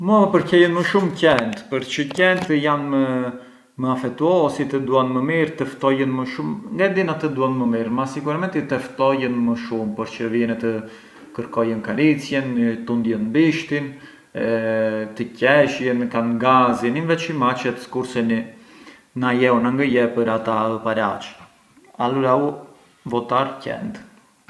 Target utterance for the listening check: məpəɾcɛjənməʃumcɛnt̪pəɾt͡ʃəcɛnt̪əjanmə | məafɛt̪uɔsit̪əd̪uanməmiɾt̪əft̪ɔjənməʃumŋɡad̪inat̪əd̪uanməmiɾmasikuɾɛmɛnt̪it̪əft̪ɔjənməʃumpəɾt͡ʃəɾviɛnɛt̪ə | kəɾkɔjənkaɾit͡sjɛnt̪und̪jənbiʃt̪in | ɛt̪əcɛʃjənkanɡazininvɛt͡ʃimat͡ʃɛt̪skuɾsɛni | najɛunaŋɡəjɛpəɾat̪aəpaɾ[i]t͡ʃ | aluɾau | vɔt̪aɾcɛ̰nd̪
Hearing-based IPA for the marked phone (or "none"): a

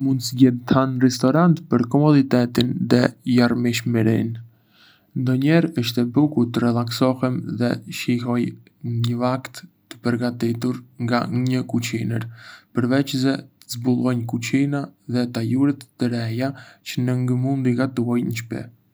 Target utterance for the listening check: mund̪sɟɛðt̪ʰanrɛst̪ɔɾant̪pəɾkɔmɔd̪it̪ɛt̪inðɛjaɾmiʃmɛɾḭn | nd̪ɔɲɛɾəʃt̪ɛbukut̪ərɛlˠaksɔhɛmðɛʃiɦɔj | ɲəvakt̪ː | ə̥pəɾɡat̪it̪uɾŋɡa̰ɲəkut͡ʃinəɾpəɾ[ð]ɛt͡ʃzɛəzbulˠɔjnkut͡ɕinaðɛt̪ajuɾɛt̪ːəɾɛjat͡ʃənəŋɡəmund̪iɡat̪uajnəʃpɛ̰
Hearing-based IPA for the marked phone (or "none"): v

